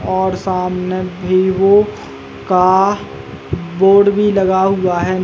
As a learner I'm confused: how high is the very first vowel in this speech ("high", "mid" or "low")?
mid